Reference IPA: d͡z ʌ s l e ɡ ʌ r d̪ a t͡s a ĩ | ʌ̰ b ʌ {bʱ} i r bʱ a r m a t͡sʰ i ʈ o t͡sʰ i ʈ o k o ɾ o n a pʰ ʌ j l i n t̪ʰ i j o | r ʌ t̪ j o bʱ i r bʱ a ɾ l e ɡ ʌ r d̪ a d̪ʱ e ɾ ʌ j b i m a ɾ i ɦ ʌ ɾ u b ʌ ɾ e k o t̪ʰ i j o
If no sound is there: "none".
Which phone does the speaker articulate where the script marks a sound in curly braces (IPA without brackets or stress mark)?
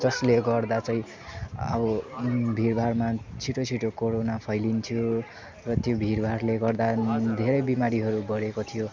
bʱ